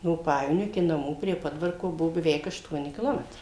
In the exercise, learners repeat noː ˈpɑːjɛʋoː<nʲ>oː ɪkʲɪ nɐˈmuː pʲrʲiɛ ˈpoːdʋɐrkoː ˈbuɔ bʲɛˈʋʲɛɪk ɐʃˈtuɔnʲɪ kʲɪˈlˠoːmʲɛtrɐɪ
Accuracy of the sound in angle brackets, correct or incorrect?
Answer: correct